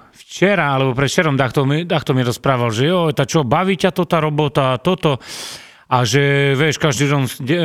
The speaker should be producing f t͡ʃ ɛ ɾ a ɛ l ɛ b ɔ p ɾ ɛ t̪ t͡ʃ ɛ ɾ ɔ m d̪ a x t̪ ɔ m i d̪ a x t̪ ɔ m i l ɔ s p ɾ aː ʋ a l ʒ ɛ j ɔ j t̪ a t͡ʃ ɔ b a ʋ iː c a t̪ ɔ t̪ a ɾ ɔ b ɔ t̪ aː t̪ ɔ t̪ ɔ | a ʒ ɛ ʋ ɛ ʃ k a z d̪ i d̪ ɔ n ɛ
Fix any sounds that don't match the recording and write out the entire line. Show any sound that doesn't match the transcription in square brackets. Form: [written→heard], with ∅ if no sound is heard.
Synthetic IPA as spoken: f t͡ʃ ɛ ɾ a [ɛ→a] l ɛ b ɔ p ɾ ɛ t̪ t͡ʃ ɛ ɾ ɔ m d̪ a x t̪ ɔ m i d̪ a x t̪ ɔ m i [l→ɾ] ɔ s p ɾ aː ʋ a l ʒ ɛ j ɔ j t̪ a t͡ʃ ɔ b a ʋ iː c a t̪ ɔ t̪ a ɾ ɔ b ɔ t̪ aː t̪ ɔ t̪ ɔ | a ʒ ɛ ʋ ɛ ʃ k a [z→ʒ] d̪ i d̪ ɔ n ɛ